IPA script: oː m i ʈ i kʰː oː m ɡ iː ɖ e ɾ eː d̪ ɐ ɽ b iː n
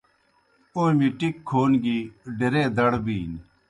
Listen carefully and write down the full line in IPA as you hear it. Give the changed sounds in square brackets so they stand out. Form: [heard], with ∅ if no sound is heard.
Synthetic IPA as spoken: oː m i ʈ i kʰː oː [n] ɡ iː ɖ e ɾ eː d̪ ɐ ɽ b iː n